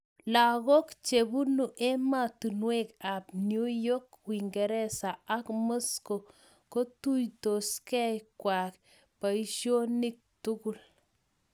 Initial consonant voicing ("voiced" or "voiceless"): voiced